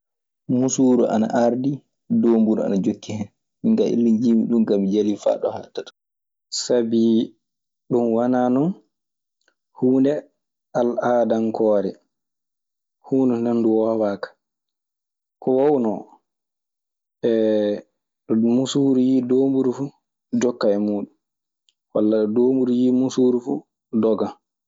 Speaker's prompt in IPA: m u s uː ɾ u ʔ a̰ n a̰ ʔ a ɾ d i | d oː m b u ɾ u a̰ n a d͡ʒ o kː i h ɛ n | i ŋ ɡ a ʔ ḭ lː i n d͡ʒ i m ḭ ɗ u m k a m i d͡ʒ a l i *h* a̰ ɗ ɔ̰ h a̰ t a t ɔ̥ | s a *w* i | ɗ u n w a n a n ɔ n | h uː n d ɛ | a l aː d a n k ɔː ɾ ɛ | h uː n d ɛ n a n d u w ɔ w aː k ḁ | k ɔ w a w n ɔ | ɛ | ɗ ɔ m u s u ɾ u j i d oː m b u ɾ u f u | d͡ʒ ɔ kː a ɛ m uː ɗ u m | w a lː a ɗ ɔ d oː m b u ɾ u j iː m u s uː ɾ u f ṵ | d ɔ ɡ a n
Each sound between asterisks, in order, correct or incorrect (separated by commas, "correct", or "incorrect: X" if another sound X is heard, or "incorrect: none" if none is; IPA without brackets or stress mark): incorrect: f, incorrect: b